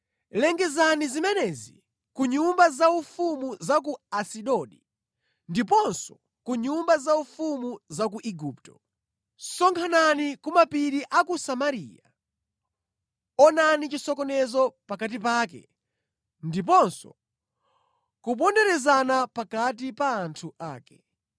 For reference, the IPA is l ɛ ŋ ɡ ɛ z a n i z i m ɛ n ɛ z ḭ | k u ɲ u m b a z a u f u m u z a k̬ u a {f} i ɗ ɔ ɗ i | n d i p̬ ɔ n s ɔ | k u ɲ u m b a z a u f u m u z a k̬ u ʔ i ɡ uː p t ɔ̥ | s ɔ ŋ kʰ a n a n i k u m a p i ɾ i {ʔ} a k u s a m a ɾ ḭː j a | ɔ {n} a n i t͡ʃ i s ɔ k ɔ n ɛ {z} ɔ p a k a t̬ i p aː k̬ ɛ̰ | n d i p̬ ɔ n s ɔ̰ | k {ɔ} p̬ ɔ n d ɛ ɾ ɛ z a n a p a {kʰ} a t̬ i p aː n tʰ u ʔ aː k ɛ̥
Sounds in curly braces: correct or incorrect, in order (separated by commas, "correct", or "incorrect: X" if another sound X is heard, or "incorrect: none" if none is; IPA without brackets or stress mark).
incorrect: s, correct, correct, correct, incorrect: u, incorrect: k